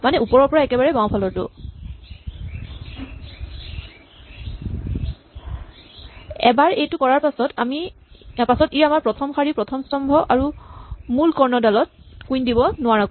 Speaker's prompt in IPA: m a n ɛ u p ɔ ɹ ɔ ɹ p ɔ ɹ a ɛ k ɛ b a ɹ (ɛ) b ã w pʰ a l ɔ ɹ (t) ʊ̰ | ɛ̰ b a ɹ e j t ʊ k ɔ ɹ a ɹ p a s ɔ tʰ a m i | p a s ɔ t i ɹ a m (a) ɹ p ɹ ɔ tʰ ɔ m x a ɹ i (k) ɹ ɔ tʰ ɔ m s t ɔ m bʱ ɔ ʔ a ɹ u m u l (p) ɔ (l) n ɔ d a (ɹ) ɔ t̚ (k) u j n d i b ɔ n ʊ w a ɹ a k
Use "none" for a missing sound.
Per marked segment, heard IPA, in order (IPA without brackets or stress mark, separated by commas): ɛ, t, a, p, k, ɹ, l, k